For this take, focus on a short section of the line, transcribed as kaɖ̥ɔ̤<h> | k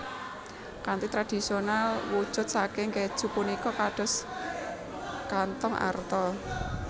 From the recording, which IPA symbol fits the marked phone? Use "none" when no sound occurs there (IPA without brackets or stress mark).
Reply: s